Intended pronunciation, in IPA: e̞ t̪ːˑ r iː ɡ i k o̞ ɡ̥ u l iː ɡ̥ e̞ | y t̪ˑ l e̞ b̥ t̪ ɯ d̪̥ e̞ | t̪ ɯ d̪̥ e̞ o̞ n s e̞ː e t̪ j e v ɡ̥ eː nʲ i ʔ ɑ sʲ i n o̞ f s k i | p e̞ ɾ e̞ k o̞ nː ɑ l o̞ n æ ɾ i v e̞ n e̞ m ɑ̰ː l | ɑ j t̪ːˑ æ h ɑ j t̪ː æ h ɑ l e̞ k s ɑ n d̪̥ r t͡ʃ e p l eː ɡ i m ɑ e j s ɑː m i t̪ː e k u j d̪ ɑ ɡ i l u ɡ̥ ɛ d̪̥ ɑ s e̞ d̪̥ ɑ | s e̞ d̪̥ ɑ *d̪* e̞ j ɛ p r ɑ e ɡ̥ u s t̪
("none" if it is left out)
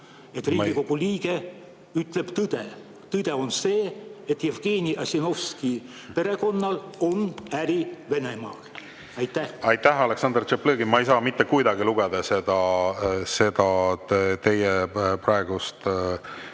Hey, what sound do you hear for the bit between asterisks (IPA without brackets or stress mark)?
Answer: t̪